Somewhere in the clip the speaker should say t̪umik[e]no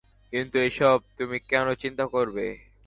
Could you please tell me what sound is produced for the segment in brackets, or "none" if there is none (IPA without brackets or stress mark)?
ɛ